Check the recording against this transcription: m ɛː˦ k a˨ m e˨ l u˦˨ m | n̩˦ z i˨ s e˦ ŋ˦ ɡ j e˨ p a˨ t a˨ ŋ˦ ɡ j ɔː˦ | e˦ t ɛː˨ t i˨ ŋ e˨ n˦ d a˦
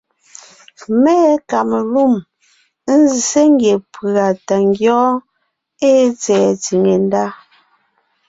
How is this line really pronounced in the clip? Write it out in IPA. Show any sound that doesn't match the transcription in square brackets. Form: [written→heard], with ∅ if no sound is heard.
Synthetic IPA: m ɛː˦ k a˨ m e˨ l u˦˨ m | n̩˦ z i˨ s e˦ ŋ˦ ɡ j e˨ p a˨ t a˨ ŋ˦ ɡ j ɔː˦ | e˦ [t→t͡s] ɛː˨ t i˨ ŋ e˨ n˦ d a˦